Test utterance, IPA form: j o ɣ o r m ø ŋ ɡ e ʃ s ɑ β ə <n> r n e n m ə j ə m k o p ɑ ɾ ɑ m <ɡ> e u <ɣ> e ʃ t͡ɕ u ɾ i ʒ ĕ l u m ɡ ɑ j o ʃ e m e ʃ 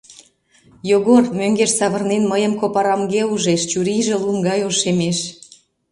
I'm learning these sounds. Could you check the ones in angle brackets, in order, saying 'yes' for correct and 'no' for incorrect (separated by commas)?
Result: no, yes, no